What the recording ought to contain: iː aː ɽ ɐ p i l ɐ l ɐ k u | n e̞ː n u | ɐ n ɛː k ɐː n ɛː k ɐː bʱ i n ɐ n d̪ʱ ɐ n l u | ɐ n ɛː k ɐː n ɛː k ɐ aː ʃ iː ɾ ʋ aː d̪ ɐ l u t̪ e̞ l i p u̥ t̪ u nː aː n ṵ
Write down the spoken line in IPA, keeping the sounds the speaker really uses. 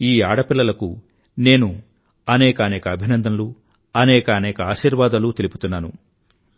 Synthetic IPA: iː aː ɽ ɐ p i lː ɐ l ɐ k u | n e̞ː n u | ɐ n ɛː k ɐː n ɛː k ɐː bʱ i n ɐ n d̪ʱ ɐ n l u | ɐ n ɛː k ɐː n ɛː k ɐ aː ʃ iː ɾ ʋ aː d̪ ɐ l u t̪ e̞ l i p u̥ t̪ u nː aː n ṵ